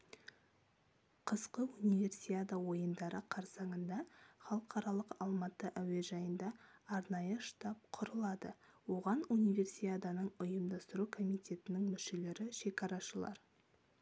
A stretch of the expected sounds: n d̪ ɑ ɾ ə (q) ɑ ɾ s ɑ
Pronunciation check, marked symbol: incorrect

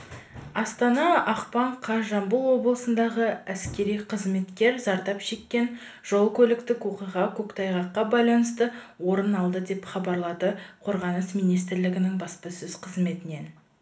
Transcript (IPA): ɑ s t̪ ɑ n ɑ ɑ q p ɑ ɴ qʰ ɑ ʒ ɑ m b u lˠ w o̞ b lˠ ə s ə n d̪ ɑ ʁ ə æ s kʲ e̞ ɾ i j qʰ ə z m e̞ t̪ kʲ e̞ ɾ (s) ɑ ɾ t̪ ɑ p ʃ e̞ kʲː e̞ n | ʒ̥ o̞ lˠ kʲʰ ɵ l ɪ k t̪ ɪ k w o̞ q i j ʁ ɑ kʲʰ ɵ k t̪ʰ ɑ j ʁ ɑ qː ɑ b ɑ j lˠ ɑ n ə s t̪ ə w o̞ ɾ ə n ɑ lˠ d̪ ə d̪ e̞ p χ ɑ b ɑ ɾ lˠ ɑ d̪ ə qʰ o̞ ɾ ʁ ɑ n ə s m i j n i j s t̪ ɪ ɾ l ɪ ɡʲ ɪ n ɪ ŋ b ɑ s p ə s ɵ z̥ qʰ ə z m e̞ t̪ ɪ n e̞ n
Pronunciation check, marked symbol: incorrect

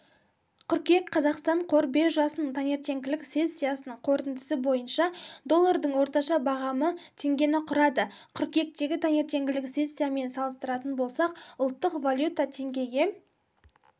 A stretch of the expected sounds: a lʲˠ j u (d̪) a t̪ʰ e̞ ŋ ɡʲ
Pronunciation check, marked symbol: incorrect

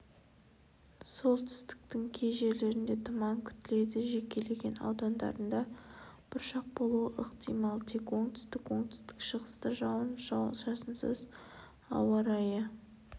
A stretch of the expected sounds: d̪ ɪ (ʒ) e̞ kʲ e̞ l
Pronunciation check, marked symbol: correct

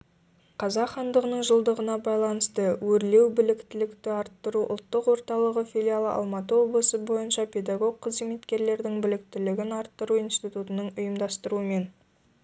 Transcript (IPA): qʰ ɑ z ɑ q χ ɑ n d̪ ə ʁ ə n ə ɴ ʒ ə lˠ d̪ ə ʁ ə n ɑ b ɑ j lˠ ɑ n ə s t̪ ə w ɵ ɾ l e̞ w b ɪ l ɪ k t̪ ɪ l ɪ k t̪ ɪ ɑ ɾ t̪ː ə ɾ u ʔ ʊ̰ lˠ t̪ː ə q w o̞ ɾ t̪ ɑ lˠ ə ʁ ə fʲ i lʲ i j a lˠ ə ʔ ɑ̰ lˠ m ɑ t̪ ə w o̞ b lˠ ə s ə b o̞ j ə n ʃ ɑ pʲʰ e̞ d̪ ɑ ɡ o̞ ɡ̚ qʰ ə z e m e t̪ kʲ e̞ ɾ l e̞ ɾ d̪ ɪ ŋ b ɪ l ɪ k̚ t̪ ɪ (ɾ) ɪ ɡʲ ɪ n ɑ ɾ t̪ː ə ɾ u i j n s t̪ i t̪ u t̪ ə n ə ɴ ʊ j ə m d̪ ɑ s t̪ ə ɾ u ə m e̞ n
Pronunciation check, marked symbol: incorrect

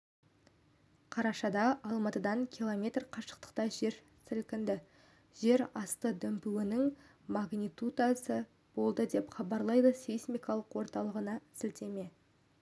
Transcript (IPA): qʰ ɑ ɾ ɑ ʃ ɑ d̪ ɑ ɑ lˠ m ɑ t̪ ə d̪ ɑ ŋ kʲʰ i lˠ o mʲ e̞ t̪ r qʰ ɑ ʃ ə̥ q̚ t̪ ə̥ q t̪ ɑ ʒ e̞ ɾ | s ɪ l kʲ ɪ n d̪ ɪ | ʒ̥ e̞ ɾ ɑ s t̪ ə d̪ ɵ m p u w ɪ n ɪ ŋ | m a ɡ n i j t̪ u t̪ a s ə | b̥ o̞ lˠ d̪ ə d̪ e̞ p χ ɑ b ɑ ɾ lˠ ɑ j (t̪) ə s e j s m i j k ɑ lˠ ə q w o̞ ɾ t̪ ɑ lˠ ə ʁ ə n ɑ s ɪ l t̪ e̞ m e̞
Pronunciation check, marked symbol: incorrect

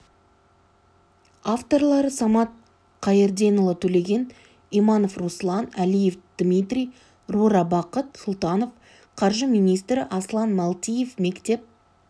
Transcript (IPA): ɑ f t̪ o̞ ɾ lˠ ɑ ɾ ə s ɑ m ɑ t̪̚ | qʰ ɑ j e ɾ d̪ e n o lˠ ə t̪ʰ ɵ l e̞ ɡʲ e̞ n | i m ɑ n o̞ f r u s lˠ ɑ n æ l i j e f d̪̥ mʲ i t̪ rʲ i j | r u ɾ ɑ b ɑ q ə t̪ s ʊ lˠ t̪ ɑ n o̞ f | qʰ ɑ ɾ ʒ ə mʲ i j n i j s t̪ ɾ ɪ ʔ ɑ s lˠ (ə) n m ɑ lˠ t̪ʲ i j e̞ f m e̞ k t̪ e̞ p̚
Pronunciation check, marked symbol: incorrect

